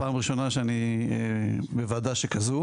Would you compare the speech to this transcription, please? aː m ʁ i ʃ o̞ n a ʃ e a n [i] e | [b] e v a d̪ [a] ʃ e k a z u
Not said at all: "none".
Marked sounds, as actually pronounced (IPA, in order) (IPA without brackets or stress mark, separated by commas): i, b, a